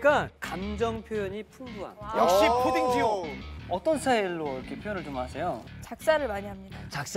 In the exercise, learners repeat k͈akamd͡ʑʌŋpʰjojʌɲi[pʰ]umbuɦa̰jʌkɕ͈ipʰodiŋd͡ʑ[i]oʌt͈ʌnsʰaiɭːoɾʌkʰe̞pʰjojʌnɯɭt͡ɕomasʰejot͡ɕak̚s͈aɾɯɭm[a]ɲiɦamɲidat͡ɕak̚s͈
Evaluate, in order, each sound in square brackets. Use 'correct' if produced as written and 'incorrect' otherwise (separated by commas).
correct, correct, correct